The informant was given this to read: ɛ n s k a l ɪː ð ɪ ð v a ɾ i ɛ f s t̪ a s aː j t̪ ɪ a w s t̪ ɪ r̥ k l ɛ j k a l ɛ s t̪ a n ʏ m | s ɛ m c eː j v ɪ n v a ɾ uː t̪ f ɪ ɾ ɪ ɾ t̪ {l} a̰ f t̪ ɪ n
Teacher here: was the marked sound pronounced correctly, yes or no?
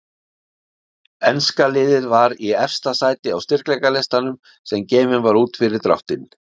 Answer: no